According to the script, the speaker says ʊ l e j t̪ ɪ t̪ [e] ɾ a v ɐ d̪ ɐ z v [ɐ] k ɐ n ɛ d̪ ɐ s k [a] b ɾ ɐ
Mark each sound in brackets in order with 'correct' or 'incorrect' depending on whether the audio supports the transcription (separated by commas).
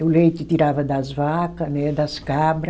incorrect, incorrect, correct